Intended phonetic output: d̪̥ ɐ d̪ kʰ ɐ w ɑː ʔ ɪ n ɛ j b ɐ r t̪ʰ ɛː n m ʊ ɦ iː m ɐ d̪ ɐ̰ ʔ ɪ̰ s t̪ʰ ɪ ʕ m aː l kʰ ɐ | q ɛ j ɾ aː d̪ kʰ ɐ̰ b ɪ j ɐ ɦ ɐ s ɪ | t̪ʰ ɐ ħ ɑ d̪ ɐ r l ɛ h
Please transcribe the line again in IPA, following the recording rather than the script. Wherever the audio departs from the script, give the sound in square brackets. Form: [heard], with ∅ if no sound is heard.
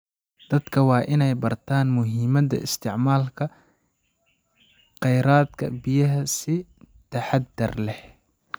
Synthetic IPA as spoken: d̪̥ ɐ d̪ kʰ ɐ w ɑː ʔ ɪ n ɛ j b ɐ r t̪ʰ [aː] n m ʊ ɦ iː m ɐ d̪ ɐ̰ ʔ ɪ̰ s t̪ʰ ɪ ʕ m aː l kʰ ɐ | q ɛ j ɾ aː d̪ kʰ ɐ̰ b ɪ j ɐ ɦ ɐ s ɪ | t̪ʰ ɐ ħ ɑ d̪ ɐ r l ɛ h